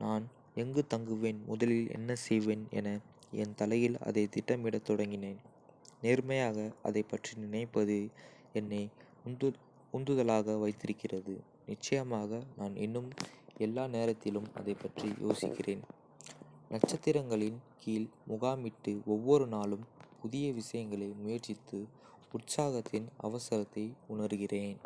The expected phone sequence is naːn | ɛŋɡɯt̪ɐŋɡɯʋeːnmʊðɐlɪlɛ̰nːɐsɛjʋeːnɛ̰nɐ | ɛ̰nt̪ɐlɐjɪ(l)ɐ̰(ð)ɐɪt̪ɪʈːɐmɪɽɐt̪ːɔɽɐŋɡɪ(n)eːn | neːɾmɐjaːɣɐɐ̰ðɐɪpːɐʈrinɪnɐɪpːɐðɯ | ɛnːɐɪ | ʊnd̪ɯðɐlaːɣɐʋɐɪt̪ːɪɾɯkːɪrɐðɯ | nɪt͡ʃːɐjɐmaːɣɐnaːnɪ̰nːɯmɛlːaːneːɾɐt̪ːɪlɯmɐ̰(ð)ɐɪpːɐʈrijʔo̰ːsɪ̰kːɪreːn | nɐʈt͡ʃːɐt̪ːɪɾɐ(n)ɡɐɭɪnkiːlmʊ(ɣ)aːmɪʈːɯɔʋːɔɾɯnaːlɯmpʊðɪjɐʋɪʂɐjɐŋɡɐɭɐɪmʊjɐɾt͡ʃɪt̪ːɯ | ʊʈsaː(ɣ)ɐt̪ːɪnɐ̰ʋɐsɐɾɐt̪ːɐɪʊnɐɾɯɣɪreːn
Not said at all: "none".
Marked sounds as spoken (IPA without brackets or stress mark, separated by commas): l, ð, n, ð, ŋ, ɣ, ɣ